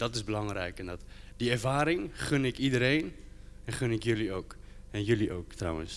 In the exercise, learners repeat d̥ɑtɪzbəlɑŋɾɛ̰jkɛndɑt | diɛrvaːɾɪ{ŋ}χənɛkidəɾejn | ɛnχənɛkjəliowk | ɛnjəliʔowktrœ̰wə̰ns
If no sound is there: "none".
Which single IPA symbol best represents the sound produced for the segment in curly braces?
ŋ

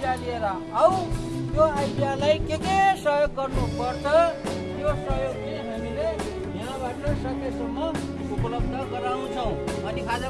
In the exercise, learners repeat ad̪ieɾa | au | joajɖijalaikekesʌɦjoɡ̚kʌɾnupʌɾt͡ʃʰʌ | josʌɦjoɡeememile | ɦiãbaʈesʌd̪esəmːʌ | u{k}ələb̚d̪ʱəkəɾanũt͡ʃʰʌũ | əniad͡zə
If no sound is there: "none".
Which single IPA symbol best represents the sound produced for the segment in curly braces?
p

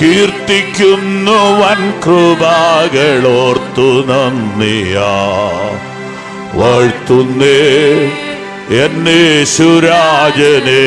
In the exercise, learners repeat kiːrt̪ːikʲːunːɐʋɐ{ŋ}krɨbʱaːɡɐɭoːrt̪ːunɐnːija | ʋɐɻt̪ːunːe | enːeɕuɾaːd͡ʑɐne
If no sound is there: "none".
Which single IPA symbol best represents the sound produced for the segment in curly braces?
n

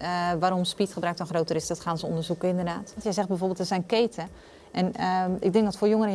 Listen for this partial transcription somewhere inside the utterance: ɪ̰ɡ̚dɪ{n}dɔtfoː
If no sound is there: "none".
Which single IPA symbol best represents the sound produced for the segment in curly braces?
ŋ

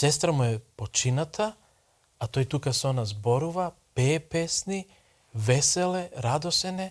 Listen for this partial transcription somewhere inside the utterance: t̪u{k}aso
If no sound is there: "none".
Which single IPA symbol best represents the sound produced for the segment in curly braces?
k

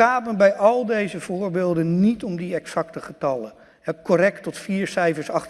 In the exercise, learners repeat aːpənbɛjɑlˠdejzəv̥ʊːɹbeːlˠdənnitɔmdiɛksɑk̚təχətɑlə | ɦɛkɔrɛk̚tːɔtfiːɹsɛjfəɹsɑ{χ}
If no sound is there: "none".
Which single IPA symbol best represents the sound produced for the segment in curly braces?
χ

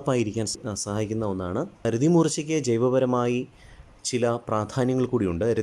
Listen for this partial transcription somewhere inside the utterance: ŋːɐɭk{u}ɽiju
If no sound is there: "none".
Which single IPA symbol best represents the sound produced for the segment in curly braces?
uː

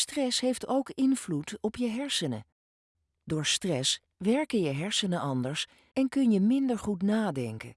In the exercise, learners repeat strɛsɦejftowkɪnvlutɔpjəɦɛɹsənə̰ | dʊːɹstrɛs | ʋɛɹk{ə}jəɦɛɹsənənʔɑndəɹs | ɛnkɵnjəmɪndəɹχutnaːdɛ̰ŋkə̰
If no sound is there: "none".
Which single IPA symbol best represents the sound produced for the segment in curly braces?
ə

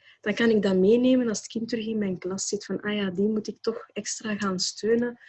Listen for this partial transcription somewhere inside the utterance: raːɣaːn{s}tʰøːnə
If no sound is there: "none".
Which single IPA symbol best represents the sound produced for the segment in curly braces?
s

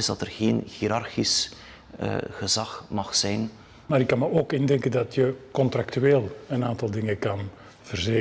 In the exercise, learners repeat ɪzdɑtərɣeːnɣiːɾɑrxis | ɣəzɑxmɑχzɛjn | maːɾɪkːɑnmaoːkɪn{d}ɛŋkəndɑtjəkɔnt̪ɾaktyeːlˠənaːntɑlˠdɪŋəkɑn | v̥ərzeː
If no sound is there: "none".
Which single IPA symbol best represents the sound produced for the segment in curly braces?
d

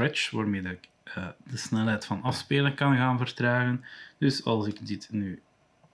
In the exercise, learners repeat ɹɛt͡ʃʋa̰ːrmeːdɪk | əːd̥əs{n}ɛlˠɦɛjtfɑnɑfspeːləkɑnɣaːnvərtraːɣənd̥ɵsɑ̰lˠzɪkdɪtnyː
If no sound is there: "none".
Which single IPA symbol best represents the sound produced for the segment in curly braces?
n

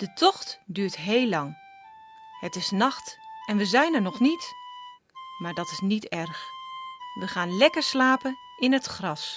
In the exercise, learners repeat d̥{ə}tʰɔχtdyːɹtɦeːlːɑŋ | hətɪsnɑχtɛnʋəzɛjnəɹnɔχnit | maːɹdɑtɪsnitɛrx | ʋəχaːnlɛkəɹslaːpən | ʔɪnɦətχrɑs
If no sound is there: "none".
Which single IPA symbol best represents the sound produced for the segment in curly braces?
ə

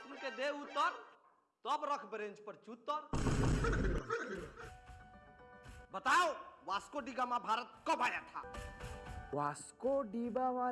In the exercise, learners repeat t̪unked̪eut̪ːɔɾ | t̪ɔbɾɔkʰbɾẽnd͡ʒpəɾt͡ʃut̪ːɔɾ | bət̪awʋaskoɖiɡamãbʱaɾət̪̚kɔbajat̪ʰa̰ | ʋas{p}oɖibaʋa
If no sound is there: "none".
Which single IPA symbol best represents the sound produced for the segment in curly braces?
k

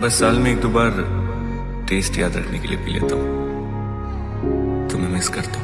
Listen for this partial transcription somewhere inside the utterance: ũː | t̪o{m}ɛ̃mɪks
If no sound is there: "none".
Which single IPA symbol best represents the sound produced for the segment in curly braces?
m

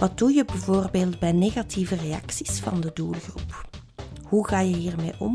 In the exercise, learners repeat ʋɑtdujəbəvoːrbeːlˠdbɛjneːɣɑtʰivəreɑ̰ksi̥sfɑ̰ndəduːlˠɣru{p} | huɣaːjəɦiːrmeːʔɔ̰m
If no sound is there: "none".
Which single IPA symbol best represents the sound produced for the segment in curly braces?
p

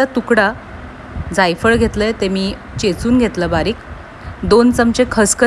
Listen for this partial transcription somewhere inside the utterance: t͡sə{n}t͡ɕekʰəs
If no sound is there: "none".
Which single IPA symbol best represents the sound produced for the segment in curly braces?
m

